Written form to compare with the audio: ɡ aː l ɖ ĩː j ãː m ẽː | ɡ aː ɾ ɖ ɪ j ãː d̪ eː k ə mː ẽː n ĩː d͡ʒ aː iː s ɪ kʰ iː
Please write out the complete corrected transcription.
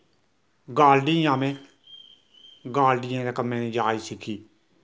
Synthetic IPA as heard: ɡ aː l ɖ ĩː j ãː m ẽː | ɡ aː l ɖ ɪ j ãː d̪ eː k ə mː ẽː n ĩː d͡ʒ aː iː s ɪ kʰ iː